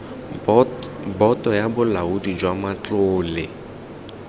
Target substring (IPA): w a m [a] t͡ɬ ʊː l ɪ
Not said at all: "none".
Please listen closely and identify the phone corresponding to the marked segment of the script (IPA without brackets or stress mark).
a